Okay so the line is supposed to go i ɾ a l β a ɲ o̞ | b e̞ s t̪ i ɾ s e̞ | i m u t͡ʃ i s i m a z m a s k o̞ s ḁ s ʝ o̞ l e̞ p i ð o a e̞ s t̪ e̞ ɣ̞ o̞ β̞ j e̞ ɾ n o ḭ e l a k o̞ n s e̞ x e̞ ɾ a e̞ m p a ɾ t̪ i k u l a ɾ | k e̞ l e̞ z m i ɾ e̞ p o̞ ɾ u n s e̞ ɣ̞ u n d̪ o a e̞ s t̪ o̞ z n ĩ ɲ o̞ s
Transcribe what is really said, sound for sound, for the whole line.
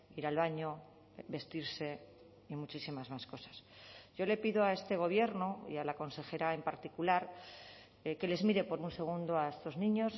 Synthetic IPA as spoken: i ɾ a l β a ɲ o̞ | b e̞ s t̪ i ɾ s e̞ | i m u t͡ʃ i s i m a z m a s k o̞ s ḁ s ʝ o̞ l e̞ p i ð o a e̞ s t̪ e̞ ɣ̞ o̞ β̞ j e̞ ɾ n o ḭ a l a k o̞ n s e̞ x e̞ ɾ a e̞ m p a ɾ t̪ i k u l a ɾ | k e̞ l e̞ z m i ɾ e̞ p o̞ ɾ u n s e̞ ɣ̞ u n d̪ o a e̞ s t̪ o̞ z n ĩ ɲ o̞ s